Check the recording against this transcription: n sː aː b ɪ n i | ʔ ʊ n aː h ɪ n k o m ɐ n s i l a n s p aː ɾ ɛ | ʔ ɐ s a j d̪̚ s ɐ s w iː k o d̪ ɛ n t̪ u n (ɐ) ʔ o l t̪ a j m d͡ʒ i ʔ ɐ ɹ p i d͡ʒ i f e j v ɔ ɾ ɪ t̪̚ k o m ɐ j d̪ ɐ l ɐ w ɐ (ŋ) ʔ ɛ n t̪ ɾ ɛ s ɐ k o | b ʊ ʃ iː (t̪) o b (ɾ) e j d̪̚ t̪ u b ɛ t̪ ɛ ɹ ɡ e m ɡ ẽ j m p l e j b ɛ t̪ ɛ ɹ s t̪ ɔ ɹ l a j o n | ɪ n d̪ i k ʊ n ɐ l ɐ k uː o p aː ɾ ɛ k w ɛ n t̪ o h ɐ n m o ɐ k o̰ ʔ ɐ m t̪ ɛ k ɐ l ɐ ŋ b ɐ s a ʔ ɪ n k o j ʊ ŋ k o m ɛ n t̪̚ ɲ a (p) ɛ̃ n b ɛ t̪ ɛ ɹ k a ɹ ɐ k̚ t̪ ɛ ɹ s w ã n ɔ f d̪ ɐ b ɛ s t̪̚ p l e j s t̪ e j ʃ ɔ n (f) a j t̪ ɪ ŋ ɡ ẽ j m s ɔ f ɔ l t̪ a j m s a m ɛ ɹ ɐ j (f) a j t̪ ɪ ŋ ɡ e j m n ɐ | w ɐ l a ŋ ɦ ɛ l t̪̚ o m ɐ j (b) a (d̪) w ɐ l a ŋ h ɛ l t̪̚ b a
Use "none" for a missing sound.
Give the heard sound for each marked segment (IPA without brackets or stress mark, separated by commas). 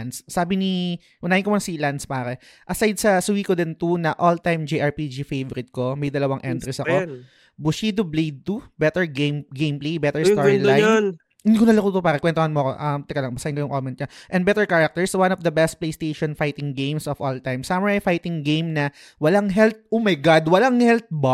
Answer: ɐ, ŋ, d̪, l, ʔ, f, f, ɡ, d̪